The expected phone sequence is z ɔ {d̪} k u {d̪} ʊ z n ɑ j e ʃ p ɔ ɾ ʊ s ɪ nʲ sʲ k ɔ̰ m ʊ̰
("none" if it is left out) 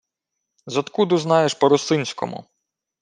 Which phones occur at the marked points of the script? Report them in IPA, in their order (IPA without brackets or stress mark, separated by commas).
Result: t̪, d̪